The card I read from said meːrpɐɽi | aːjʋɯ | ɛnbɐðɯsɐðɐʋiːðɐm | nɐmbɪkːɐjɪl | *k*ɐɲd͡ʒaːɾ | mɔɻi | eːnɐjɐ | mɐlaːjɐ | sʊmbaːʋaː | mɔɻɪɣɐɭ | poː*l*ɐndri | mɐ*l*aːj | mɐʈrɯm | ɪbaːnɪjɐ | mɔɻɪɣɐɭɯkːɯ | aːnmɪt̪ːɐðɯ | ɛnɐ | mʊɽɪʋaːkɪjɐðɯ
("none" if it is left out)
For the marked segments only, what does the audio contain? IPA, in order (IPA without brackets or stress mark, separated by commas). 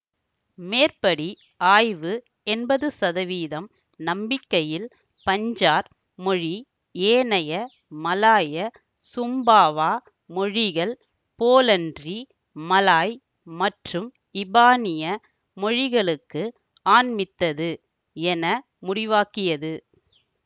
p, l, l